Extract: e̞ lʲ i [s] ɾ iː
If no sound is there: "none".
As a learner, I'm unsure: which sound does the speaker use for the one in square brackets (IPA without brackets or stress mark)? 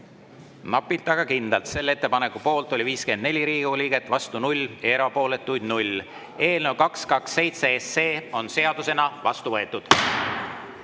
none